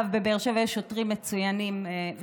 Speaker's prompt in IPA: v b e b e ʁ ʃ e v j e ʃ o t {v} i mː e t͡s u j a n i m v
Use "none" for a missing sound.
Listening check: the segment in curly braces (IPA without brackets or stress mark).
ʁ